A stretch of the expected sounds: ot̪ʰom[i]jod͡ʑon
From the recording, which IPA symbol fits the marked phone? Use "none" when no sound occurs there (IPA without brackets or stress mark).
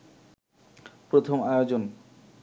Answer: a